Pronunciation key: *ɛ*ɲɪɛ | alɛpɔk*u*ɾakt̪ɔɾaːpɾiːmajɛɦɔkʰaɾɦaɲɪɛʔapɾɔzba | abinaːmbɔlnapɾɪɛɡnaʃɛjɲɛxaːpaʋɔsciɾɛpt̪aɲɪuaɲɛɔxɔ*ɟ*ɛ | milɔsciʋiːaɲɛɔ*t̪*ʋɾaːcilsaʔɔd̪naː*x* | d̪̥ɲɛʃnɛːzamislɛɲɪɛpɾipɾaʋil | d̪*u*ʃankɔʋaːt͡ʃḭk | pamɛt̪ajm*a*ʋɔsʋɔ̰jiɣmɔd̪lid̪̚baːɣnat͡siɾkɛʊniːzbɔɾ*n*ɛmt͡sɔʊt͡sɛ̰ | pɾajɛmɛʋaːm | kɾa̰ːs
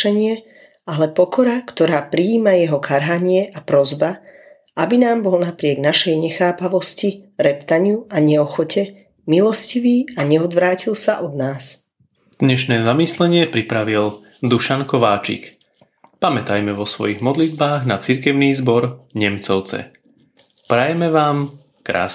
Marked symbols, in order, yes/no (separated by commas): yes, no, no, no, no, yes, no, no